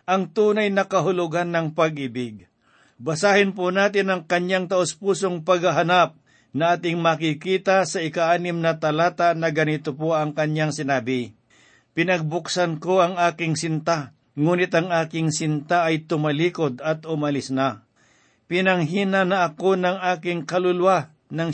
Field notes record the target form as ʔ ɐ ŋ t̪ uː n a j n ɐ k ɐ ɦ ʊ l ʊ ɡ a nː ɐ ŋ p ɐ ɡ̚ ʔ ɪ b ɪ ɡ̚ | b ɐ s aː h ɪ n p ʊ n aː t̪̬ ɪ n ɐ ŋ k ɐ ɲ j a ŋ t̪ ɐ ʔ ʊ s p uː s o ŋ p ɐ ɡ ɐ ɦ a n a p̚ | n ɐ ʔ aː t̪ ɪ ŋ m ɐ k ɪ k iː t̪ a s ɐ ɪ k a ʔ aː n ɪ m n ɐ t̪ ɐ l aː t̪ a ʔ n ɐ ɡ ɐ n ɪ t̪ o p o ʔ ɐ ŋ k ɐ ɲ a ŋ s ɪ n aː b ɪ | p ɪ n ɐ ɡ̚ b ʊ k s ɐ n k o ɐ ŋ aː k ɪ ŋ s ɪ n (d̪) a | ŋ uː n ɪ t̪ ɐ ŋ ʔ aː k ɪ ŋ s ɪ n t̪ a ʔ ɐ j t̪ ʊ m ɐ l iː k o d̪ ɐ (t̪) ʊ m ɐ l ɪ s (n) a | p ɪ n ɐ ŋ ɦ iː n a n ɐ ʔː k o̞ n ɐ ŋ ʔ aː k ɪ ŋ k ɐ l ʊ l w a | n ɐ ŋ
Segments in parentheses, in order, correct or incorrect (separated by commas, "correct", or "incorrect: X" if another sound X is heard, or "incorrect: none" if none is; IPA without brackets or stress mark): incorrect: t̪, correct, correct